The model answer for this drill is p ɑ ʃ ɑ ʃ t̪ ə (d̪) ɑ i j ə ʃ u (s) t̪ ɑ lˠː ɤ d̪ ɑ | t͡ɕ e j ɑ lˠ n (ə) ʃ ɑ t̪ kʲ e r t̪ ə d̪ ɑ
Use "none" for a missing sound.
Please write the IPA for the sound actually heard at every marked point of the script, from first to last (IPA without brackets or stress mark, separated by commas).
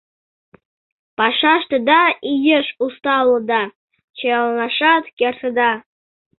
d̪, s, ɑ